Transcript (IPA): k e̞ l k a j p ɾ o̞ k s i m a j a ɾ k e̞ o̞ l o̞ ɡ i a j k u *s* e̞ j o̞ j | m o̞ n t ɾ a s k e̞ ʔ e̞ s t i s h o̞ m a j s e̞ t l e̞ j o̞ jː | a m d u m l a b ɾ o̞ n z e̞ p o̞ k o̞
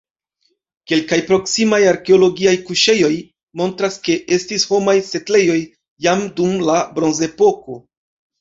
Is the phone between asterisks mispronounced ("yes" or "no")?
yes